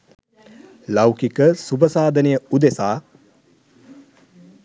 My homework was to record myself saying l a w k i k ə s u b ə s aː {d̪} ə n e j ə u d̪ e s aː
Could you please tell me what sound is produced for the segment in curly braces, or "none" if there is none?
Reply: d̪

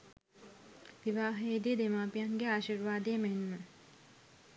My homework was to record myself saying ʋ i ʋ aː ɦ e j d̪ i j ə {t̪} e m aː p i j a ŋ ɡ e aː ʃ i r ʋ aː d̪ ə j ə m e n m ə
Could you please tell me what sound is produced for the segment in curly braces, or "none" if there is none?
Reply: d̪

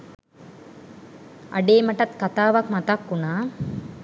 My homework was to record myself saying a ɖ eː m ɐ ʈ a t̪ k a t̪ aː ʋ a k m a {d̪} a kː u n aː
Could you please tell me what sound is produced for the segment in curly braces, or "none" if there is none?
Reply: t̪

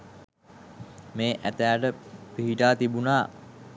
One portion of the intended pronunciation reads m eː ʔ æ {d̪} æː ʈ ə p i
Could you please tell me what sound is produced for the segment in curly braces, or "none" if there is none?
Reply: t̪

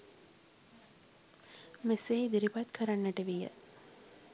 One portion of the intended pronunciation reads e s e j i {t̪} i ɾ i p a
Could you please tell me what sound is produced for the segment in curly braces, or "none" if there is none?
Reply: d̪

